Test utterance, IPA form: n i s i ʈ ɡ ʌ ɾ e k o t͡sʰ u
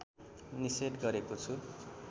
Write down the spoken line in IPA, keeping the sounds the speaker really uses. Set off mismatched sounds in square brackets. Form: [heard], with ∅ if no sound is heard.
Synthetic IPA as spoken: n i s [e] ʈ ɡ ʌ ɾ e k o t͡sʰ u